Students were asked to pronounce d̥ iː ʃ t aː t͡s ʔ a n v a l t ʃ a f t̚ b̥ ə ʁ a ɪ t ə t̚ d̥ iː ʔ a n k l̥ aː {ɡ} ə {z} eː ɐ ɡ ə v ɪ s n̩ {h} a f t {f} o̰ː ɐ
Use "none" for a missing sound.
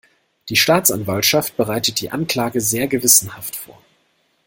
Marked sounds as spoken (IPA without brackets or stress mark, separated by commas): ɡ, z, h, f